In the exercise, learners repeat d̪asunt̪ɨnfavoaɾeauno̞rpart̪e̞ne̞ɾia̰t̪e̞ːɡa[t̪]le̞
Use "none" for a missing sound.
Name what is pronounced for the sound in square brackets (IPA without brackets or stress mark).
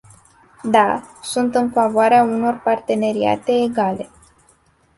none